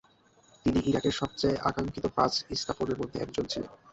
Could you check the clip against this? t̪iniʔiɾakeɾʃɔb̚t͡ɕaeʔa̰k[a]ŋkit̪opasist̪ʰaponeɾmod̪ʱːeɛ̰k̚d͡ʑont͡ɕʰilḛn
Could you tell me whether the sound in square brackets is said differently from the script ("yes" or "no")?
no